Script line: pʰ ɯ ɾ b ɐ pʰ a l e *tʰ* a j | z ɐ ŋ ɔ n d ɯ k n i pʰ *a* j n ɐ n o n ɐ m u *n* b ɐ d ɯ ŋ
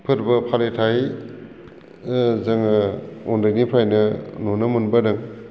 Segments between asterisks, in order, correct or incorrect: correct, correct, correct

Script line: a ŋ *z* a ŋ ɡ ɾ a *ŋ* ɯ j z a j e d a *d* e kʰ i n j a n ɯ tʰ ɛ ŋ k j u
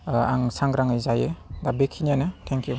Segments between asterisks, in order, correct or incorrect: incorrect: s, correct, incorrect: b

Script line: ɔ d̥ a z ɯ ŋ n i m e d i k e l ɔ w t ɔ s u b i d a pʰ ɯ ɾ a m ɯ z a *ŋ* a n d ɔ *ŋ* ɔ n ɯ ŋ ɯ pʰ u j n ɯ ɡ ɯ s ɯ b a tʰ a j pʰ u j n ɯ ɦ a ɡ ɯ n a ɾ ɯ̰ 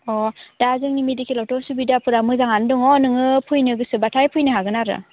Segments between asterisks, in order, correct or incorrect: correct, correct

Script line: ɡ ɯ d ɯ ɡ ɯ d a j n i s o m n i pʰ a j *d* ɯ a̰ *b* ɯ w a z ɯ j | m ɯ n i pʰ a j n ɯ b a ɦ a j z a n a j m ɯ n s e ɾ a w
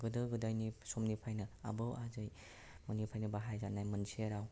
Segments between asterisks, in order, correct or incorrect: incorrect: n, correct

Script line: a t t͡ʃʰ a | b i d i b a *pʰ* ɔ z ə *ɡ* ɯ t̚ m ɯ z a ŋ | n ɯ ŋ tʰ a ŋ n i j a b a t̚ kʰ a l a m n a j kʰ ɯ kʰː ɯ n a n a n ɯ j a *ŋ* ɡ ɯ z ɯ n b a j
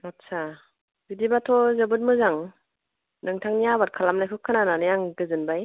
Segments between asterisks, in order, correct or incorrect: incorrect: tʰ, incorrect: b, correct

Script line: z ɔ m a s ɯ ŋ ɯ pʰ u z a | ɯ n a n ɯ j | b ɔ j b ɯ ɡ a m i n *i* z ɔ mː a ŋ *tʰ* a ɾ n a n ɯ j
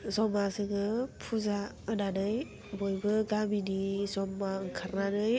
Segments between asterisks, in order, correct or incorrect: correct, incorrect: kʰ

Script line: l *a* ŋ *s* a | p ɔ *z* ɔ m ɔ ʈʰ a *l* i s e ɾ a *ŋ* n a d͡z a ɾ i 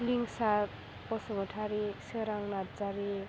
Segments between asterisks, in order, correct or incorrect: incorrect: i, correct, incorrect: s, incorrect: ɾ, correct

